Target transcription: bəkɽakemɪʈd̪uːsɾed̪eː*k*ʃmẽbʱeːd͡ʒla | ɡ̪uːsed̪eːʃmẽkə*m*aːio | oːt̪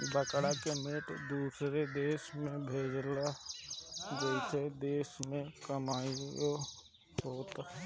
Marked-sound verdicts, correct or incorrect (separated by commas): incorrect, correct